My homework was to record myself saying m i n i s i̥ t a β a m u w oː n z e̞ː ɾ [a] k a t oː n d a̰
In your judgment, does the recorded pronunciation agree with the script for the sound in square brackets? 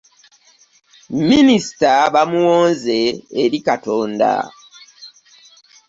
no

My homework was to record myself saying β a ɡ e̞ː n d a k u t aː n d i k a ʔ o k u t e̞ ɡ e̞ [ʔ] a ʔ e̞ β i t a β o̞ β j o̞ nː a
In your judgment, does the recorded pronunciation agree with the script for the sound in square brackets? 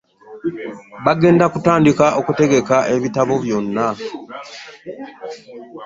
no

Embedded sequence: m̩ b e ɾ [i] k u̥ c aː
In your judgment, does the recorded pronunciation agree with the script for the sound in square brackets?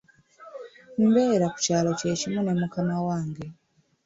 no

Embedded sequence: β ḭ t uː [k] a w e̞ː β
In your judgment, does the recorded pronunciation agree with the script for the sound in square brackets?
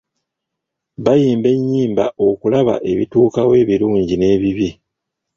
yes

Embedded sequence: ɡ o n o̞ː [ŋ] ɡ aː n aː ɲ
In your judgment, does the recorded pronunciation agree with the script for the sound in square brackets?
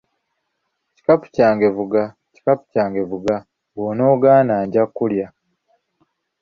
no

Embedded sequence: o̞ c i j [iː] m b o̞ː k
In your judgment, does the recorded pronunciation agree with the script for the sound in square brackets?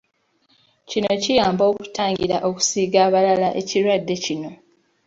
no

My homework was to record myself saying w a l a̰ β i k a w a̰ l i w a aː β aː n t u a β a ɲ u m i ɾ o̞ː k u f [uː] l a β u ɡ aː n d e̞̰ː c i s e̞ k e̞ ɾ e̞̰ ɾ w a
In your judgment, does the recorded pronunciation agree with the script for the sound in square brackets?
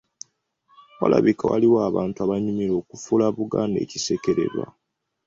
no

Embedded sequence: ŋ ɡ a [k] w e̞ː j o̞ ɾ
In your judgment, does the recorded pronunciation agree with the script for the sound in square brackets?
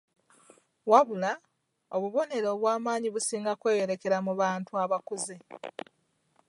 yes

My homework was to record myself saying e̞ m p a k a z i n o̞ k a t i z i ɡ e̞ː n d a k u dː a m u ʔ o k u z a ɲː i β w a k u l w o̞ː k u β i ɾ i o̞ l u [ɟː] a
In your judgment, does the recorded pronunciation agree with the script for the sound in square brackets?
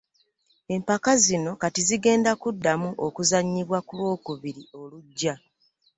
yes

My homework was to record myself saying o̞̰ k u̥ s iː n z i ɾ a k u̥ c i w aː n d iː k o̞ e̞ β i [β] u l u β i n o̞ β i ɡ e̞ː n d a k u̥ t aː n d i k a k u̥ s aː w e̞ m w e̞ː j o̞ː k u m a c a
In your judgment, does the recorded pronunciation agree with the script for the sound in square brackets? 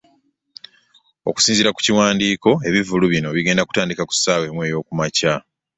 no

